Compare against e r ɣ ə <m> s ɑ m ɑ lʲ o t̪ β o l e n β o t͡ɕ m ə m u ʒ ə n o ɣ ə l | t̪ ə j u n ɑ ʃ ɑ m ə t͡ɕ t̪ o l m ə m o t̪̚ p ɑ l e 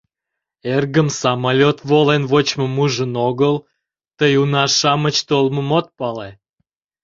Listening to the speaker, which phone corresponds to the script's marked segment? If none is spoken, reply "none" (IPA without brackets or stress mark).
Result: m